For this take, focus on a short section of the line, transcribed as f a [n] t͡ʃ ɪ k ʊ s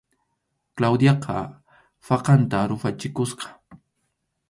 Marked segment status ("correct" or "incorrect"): incorrect